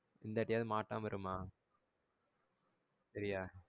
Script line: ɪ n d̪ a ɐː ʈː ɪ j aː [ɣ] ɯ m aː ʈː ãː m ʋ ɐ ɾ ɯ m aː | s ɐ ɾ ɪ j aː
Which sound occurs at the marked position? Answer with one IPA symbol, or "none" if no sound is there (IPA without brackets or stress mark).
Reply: ð